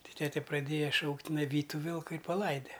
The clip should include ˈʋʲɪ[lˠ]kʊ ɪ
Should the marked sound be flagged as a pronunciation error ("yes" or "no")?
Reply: no